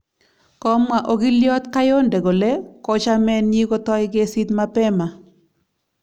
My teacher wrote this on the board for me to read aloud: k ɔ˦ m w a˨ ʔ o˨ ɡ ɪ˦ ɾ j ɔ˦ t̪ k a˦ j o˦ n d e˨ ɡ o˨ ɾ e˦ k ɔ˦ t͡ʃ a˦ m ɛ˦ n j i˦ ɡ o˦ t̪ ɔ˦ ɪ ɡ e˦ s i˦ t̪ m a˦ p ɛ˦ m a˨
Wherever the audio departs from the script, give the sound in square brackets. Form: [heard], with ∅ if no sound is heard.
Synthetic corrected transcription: k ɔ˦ m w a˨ ʔ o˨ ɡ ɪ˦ [l] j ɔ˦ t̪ k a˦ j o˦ n d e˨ ɡ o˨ [l] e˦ k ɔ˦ t͡ʃ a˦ m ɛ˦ n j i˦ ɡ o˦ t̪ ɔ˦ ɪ ɡ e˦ s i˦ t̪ m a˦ p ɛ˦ m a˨